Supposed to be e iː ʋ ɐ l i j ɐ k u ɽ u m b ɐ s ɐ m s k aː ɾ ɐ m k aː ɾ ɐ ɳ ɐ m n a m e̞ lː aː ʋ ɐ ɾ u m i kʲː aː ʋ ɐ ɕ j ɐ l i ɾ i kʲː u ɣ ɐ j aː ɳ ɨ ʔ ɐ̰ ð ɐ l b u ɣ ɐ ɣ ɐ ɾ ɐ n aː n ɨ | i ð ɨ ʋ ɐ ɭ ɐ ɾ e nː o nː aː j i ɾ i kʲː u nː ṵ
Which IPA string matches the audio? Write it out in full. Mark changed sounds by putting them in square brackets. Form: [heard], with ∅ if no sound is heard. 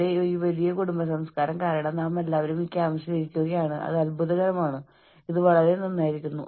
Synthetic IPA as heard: e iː ʋ ɐ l i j ɐ k u ɽ u m b ɐ s ɐ m s k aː ɾ ɐ m k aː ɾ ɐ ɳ ɐ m n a m e̞ lː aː ʋ ɐ ɾ u m i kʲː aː ʋ ɐ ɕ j ɐ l i ɾ i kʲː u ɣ ɐ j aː ɳ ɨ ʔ ɐ̰ ð ɐ l b u [ð] ɐ ɣ ɐ ɾ ɐ [m] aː [ɳ] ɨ | i ð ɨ ʋ ɐ ɭ ɐ ɾ e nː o nː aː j i ɾ i kʲː u nː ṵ